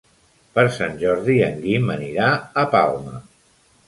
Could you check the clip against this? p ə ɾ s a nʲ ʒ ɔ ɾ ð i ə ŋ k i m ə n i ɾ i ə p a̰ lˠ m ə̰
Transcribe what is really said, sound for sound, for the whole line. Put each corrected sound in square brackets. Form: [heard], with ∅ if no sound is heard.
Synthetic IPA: p ə ɾ s a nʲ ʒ ɔ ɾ ð i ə ŋ [ɡ] i m ə n i ɾ [a] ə p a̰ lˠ m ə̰